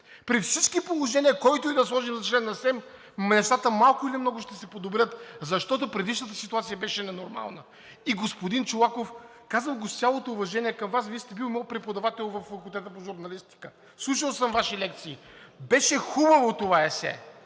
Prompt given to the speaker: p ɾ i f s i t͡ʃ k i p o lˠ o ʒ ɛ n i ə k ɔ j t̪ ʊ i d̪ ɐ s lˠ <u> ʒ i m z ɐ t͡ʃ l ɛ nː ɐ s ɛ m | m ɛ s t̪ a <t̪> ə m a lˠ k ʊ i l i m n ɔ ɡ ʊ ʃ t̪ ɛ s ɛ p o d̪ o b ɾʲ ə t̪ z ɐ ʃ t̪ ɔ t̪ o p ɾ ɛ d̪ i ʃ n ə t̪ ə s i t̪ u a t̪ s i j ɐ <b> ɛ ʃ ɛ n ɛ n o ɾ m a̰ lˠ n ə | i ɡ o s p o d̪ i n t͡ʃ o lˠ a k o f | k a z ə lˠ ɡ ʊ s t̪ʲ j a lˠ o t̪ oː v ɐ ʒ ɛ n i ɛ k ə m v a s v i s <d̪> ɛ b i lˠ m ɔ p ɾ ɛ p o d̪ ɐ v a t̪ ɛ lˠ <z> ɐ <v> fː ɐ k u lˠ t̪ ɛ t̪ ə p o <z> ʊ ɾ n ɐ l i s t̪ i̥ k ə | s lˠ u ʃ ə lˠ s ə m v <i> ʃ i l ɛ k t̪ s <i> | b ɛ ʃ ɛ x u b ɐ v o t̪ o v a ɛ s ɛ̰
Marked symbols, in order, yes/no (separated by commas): no, yes, yes, no, no, no, no, no, no